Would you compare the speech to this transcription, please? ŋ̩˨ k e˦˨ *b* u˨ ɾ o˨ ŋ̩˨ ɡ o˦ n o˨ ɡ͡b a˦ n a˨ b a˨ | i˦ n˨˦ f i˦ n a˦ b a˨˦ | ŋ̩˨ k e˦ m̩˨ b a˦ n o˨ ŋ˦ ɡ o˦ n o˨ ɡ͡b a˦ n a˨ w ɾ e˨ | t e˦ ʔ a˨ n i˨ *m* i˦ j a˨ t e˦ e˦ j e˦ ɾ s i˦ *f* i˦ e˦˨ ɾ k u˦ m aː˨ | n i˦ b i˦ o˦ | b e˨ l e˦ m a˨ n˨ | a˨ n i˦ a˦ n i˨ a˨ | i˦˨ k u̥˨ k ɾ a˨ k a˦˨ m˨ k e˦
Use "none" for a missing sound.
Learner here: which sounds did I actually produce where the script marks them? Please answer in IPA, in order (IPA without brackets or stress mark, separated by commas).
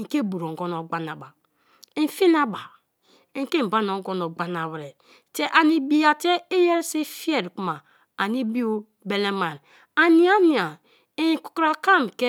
b, b, f